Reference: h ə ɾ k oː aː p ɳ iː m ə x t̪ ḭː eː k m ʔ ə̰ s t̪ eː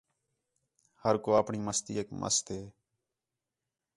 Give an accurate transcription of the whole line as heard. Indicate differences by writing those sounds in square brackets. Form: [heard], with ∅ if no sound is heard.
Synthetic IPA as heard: h ə ɾ k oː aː p ɳ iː m ə [s] t̪ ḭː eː k m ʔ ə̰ s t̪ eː